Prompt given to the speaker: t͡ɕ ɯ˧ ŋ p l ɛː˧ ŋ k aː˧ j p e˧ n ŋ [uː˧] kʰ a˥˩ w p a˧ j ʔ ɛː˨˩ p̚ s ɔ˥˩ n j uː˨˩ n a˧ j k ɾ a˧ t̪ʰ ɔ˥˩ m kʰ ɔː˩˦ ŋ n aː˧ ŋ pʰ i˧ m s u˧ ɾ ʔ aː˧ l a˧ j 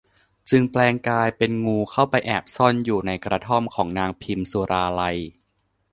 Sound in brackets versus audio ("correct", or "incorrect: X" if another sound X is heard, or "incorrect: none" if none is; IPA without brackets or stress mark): correct